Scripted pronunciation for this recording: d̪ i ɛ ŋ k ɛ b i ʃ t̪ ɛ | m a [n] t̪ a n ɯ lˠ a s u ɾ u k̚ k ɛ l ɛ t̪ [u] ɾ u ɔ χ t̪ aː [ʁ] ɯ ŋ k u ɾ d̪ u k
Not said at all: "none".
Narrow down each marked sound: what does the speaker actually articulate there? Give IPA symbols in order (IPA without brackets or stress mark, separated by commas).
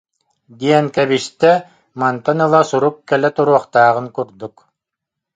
n, u, ʁ